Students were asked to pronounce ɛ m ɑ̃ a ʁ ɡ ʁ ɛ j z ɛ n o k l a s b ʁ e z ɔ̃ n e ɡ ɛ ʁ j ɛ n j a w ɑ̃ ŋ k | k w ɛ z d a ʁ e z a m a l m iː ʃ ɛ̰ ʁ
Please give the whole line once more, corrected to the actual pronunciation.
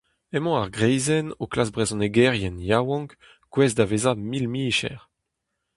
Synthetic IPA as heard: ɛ m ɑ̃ a ʁ ɡ ʁ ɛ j z ɛ n o k l a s b ʁ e z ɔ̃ n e ɡ ɛ ʁ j ɛ n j a w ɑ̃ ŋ k | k w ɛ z d a v e z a m i l m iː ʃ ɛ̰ ʁ